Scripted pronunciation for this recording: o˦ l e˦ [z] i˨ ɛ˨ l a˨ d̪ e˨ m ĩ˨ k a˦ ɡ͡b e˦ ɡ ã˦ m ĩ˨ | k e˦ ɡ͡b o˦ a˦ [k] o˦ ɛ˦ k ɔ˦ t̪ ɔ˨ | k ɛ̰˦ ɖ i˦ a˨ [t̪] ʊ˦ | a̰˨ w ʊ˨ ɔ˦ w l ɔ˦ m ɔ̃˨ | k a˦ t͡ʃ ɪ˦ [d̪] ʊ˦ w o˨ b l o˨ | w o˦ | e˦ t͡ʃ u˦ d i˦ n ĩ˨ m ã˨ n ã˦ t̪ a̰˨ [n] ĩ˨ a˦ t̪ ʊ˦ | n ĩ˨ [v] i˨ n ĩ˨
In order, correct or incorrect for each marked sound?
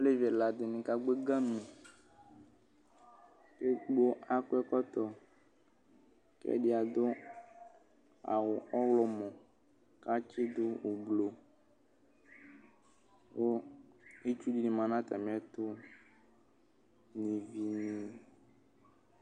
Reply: incorrect: v, correct, incorrect: d̪, correct, incorrect: m, correct

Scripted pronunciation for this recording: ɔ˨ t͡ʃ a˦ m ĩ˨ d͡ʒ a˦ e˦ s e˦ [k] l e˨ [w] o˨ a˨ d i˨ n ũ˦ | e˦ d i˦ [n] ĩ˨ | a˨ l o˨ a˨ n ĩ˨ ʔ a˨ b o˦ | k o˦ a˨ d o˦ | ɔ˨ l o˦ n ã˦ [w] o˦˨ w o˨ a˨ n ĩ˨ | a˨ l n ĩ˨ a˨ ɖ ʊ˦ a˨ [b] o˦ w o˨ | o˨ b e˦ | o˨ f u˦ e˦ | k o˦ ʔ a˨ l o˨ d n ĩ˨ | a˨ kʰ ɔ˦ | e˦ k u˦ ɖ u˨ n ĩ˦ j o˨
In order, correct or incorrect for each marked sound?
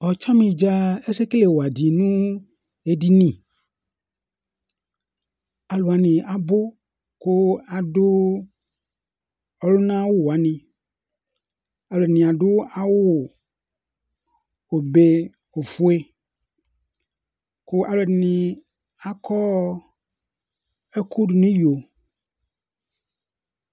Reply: correct, correct, correct, correct, incorrect: w

